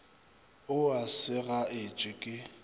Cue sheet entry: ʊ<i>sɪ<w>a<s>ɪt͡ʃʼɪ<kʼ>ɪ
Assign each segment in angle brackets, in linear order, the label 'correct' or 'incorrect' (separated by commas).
incorrect, incorrect, incorrect, correct